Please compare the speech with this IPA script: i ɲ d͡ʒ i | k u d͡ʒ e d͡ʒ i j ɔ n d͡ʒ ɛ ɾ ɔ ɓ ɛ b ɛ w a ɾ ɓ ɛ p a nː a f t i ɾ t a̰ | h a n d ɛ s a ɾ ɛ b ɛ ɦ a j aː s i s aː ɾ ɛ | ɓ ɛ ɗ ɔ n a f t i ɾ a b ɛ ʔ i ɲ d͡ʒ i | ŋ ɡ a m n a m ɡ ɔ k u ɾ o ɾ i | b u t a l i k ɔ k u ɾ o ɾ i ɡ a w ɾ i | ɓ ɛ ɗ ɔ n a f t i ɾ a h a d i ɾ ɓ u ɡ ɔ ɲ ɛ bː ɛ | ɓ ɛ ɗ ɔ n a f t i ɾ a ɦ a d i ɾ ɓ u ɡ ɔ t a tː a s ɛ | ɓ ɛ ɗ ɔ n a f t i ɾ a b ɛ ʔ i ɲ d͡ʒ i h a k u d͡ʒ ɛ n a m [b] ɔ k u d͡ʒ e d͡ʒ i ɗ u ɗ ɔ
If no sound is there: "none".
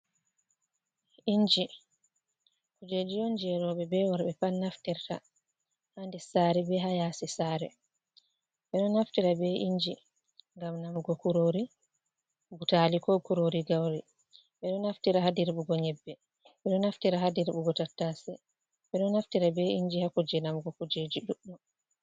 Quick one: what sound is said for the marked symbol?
ɡ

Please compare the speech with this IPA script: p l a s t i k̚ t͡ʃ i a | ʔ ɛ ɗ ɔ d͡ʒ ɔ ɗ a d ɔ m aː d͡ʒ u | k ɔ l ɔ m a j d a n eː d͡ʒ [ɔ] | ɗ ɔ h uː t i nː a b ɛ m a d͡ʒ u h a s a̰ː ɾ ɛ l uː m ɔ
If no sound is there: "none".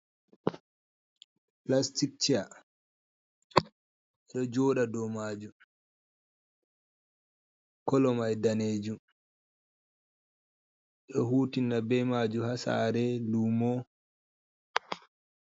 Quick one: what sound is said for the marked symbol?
u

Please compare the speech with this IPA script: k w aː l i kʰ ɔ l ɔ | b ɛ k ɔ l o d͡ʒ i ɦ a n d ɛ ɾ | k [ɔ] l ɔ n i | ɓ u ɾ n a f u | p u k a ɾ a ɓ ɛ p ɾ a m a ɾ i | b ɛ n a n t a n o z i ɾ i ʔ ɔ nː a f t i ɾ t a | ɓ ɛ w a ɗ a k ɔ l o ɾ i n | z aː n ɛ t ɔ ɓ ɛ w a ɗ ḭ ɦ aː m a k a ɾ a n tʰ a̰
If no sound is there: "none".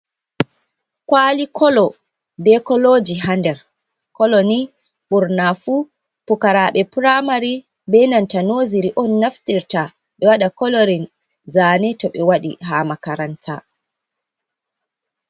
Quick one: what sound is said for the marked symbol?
ɔ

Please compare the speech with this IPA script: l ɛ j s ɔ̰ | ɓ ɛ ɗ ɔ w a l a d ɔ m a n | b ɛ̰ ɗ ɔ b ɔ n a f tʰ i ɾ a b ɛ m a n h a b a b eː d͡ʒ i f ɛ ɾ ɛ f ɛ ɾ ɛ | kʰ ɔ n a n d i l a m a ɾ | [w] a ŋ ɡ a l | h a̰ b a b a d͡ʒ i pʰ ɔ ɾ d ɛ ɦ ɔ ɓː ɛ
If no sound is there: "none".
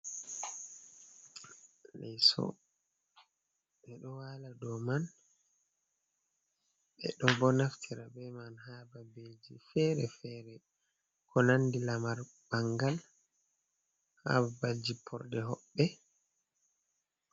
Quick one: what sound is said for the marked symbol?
b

